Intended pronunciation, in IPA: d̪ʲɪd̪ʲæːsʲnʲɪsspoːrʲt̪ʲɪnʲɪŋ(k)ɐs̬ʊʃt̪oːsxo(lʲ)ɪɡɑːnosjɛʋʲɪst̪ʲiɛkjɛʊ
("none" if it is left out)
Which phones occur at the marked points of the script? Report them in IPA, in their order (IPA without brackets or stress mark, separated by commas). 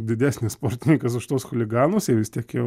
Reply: k, lʲ